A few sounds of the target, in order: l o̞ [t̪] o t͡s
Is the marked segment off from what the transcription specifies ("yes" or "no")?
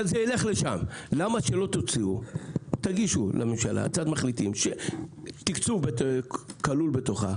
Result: no